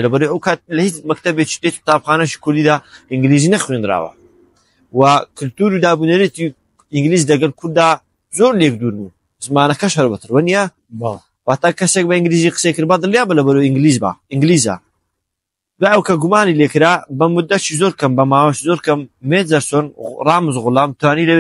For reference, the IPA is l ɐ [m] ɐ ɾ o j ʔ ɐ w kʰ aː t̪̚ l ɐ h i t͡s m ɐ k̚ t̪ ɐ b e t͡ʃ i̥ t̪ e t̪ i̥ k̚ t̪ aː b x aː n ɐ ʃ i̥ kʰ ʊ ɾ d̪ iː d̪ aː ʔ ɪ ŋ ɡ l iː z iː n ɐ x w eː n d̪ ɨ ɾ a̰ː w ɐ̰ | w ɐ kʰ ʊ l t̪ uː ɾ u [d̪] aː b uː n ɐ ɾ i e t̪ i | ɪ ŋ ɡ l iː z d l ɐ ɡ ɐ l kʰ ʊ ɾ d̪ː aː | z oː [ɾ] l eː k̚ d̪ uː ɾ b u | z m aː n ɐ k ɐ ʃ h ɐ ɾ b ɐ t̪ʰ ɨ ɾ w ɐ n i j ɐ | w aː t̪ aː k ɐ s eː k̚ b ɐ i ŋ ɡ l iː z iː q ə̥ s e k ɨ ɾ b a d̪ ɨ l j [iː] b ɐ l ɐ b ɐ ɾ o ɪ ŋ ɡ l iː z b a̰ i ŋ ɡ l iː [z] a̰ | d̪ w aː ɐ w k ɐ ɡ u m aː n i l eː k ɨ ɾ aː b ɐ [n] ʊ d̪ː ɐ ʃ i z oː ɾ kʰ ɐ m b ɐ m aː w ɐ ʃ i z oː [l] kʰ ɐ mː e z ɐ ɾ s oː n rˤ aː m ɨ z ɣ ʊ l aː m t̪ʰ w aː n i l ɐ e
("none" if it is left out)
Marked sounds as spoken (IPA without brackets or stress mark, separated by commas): b, d̪, ɾ, aː, z, m, ɾ